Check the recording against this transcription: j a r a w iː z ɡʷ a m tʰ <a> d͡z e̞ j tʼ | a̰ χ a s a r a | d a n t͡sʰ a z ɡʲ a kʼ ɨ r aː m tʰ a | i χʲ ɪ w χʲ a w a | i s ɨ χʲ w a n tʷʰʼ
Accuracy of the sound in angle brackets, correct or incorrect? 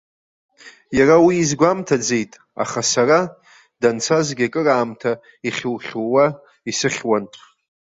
correct